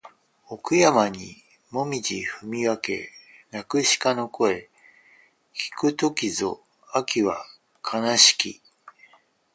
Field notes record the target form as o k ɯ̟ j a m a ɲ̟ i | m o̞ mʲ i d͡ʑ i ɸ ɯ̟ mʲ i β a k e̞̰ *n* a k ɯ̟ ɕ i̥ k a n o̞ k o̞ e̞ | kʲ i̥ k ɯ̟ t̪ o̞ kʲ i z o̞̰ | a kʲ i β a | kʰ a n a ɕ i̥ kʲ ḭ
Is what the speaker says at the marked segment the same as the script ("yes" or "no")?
yes